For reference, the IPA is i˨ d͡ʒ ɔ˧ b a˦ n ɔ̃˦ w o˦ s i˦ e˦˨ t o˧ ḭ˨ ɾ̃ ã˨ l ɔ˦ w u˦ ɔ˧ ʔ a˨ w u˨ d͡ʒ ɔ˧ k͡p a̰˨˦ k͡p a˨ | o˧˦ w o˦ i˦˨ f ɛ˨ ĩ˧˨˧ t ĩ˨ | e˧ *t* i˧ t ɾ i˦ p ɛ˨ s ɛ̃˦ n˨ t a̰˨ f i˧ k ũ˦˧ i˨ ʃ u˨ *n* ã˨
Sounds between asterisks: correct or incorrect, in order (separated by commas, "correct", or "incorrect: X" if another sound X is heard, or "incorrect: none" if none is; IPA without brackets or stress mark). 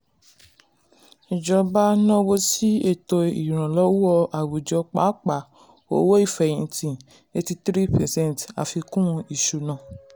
correct, correct